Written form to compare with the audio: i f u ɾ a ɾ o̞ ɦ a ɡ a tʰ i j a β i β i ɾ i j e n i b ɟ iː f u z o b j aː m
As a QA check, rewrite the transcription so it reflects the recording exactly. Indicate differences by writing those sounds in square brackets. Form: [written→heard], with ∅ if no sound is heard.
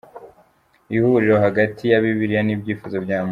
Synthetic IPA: i [f→h] u ɾ [a→i] ɾ o̞ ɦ a ɡ a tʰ i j a β i β i ɾ i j [e→a] n i b ɟ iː f u z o b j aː m